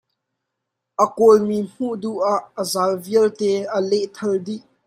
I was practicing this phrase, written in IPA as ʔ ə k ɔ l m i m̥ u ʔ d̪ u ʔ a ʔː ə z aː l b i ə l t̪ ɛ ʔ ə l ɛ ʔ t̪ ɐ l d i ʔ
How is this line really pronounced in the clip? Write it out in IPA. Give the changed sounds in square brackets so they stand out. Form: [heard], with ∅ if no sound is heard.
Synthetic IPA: ʔ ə k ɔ l m i m̥ u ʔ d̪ u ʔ a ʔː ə z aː l [v] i ə l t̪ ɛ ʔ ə l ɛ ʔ [t̪ʰ] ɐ l d i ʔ